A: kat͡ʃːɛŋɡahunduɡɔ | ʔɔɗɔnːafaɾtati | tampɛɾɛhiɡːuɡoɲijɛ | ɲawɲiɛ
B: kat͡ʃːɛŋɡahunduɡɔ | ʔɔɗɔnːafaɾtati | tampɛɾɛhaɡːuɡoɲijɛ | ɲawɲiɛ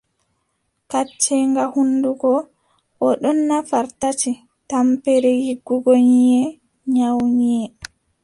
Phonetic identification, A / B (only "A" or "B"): A